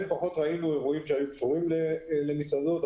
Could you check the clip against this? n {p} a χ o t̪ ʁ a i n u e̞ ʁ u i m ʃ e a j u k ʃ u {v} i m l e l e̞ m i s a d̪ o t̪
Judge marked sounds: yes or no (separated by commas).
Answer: yes, no